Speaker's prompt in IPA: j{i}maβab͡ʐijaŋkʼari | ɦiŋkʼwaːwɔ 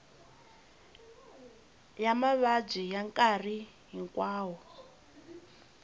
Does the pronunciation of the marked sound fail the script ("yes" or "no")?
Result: yes